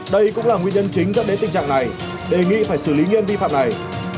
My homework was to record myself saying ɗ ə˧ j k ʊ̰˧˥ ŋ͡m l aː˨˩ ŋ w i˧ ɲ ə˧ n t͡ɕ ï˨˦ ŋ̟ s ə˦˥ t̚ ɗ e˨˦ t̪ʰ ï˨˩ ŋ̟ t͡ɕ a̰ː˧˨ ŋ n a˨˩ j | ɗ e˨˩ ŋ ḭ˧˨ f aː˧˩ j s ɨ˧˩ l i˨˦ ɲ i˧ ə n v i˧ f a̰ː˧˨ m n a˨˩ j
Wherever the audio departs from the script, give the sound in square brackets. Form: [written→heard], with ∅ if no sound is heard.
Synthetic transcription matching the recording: ɗ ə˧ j k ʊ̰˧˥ ŋ͡m l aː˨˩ ŋ w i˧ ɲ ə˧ n t͡ɕ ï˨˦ ŋ̟ [s→z] ə˦˥ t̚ ɗ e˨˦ [t̪ʰ→t̪] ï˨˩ ŋ̟ t͡ɕ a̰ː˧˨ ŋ n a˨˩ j | ɗ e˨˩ ŋ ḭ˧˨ f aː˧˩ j s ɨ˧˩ l i˨˦ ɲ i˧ ə n v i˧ f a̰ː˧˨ m n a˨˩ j